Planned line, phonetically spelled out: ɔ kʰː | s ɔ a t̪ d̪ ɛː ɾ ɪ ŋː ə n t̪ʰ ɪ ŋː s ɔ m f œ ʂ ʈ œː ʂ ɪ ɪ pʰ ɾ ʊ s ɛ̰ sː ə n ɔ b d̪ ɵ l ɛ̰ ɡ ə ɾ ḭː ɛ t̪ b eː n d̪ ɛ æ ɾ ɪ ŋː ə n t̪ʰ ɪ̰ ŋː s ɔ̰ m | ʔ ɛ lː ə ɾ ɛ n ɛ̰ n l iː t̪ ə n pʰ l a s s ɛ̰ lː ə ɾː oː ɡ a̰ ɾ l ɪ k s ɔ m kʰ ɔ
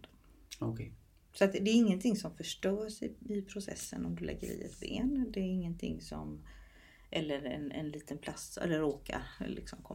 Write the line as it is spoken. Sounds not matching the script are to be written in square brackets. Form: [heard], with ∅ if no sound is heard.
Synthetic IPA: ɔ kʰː | s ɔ a t̪ d̪ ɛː ɾ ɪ ŋː ə n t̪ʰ ɪ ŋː s ɔ m f œ ʂ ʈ œː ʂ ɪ ɪ pʰ ɾ ʊ s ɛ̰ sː ə n ɔ [m] d̪ ɵ l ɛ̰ [ɡː] ə ɾ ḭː ɛ t̪ b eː n d̪ ɛ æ ɾ ɪ ŋː ə n t̪ʰ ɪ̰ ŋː s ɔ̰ m | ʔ ɛ lː ə ɾ ɛ n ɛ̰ n l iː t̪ ə n pʰ l a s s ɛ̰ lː ə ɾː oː [k] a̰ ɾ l ɪ k s ɔ m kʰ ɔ